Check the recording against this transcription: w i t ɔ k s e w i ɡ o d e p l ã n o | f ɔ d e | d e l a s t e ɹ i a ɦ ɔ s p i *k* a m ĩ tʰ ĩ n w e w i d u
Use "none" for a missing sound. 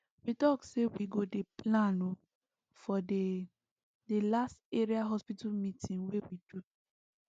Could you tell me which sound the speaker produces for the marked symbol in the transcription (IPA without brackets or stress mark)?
t